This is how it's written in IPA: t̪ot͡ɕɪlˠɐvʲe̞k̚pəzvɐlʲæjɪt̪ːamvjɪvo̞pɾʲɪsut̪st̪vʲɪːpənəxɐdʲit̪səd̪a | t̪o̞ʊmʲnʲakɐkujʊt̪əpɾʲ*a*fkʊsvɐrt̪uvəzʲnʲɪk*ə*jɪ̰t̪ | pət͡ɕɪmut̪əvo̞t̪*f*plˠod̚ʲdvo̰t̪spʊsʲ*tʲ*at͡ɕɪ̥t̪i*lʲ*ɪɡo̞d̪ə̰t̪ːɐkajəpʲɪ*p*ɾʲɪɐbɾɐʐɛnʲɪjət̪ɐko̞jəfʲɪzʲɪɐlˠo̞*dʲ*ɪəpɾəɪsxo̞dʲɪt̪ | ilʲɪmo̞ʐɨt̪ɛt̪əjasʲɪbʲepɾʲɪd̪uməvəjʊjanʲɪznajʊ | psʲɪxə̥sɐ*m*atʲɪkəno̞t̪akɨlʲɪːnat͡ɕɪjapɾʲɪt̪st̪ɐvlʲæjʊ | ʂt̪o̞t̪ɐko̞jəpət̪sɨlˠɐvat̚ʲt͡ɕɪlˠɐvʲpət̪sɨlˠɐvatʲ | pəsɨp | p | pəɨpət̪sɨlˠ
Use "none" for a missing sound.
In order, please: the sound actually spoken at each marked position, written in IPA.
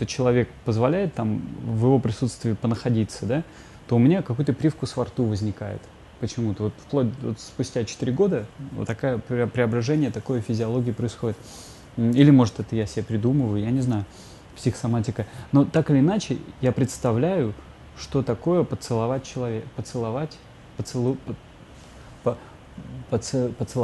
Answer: i, a, f, tʲ, ɾʲ, p, ɡʲ, m

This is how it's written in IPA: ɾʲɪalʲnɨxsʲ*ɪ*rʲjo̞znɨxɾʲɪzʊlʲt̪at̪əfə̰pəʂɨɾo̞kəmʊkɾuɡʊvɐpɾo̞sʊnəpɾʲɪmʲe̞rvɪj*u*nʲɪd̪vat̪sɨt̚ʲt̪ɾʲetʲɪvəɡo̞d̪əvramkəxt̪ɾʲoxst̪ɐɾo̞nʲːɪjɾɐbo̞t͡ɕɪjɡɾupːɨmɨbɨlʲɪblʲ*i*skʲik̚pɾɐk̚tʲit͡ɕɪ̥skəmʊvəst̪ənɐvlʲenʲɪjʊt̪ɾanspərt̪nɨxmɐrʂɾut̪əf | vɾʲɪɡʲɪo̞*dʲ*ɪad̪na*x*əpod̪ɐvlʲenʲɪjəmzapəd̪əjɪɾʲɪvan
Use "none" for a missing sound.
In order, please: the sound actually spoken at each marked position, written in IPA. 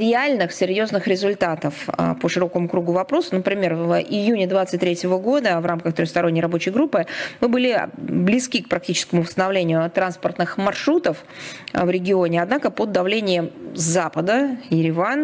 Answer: ɪ, u, ɪ, nʲ, k

